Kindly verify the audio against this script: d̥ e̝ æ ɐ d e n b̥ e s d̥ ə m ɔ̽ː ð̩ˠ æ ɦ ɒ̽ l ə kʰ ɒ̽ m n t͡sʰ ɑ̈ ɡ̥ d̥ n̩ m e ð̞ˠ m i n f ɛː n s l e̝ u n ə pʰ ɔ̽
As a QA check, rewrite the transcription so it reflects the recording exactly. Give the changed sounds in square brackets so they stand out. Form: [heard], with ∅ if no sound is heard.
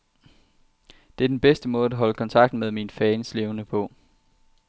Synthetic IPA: d̥ e̝ æ ɐ d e n b̥ e s d̥ ə m ɔ̽ː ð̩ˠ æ ɦ ɒ̽ l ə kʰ ɒ̽ [∅] n t͡sʰ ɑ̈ ɡ̥ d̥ n̩ m e ð̞ˠ m i n f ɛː n s l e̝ [ʊ] n ə pʰ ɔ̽